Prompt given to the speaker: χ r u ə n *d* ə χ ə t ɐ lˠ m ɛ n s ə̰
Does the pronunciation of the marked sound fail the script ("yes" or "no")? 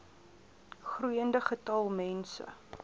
no